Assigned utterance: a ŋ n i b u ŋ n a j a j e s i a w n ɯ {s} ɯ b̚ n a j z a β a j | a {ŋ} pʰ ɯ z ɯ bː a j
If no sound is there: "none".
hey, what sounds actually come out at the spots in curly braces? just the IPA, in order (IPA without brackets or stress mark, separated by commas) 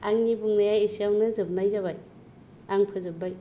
z, ŋ